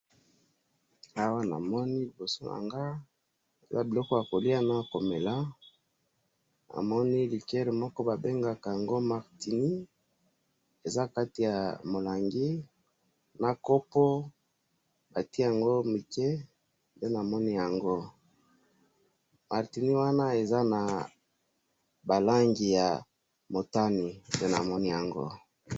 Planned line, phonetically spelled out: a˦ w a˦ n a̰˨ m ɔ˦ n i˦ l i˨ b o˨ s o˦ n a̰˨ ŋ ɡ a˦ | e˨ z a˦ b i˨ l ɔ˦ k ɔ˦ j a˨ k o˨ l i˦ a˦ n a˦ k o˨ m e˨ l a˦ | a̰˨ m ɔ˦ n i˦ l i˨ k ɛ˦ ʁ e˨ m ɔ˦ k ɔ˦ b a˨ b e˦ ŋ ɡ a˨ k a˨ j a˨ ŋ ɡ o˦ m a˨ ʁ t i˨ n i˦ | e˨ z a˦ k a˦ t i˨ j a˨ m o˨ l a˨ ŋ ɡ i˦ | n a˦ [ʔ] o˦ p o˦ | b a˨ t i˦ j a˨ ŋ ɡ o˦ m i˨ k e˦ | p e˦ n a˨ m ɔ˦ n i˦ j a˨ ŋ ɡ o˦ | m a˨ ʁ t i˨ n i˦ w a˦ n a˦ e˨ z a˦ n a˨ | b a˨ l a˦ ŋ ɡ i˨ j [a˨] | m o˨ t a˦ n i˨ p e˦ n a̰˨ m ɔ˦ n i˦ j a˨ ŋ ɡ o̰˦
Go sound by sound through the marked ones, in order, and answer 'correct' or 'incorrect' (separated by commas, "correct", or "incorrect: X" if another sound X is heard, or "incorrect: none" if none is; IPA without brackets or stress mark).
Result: incorrect: k, correct